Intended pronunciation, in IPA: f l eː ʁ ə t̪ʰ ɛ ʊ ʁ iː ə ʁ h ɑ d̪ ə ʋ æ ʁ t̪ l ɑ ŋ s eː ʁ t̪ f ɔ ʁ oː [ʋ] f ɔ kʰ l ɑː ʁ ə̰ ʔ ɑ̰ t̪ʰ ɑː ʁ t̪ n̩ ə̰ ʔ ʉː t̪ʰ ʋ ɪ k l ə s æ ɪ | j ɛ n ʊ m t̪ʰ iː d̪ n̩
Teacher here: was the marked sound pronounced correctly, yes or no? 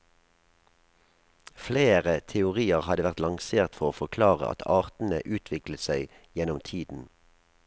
no